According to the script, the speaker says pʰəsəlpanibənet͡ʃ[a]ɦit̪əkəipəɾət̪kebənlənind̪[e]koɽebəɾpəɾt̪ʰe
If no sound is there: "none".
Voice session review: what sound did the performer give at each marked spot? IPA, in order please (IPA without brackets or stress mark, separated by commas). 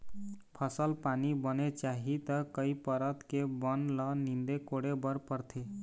a, e